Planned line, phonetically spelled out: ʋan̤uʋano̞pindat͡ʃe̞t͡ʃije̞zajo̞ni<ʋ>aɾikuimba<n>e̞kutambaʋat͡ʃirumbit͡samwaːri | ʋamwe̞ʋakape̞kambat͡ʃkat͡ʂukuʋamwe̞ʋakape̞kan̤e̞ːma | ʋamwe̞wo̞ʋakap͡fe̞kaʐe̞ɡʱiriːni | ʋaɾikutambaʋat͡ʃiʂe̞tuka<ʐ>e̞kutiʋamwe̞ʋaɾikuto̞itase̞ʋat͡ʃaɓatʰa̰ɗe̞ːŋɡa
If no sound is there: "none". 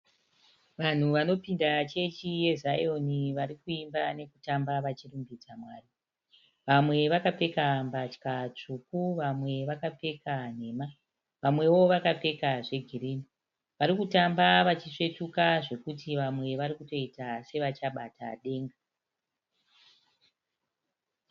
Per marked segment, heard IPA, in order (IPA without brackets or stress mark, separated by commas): ʋ, n, ʐ